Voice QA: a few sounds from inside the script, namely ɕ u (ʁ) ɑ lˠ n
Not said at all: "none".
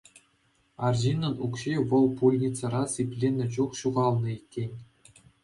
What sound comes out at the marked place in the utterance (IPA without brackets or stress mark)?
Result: ʁ